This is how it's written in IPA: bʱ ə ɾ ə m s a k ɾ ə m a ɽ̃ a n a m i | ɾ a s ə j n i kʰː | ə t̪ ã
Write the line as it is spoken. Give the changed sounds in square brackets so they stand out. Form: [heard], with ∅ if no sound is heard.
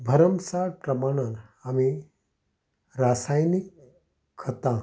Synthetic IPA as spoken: bʱ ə ɾ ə m s a [p] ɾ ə m a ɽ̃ a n a m i | ɾ a s [a] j n i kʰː | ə t̪ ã